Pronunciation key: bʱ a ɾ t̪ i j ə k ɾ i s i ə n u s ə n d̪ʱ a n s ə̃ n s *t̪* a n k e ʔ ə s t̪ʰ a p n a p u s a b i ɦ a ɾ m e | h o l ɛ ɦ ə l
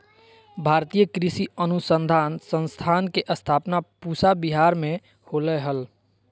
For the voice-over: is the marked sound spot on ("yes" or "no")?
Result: no